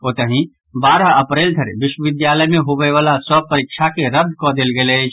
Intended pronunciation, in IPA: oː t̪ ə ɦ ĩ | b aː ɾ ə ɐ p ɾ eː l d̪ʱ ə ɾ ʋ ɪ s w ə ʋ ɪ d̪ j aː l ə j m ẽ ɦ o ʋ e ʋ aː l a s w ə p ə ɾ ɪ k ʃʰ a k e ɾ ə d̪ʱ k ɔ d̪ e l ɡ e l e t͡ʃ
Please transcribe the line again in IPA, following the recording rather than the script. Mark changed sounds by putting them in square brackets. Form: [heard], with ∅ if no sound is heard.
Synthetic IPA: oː t̪ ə ɦ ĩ | b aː ɾ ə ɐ p ɾ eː l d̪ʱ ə ɾ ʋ ɪ [ʃ] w ə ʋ ɪ d̪ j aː l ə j m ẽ ɦ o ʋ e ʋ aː l a s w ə p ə ɾ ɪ k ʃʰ a k e ɾ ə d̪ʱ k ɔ d̪ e l ɡ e l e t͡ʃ